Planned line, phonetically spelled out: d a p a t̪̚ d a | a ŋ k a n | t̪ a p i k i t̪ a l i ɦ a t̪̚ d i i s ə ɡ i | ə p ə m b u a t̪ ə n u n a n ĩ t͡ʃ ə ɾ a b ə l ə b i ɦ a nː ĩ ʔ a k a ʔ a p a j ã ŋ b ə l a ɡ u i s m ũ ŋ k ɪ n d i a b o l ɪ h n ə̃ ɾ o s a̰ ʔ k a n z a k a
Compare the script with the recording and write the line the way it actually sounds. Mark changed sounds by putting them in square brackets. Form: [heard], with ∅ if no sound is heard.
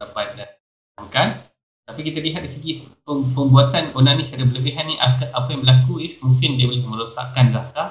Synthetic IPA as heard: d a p a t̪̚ d a | a ŋ k a n | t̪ a p i k i t̪ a l i ɦ a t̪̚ d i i s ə ɡ i | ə p ə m b u a t̪ [a] n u n a n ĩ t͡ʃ [a] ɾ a b ə l ə b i ɦ a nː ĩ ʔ a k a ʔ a p a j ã ŋ b ə l a [k] u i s m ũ ŋ k ɪ n d i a b o l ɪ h [m] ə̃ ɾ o s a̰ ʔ k a n z a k a